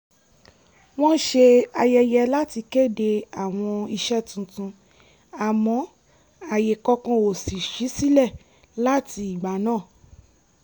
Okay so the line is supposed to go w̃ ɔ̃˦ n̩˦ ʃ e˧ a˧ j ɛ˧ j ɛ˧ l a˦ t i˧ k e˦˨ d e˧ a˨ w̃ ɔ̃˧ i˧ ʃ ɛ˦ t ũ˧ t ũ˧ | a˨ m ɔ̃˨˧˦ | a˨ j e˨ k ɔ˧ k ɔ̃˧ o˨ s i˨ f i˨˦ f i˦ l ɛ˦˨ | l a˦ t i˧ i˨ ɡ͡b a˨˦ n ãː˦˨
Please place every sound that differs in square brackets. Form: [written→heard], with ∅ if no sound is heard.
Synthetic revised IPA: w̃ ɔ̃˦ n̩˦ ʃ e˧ a˧ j ɛ˧ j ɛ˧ l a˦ t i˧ k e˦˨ d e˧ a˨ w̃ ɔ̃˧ i˧ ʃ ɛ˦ t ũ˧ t ũ˧ | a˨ m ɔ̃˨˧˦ | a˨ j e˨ k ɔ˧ k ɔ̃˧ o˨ s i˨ [f→ʃ] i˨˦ [f→s] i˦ l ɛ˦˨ | l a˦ t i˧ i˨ ɡ͡b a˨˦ n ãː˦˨